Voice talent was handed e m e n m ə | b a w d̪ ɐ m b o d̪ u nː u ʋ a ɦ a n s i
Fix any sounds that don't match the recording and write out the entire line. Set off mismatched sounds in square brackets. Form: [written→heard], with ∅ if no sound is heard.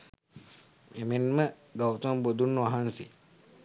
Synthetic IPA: e m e n m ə | [b→ɡ] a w [d̪→t̪] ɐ m b o d̪ u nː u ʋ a ɦ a n s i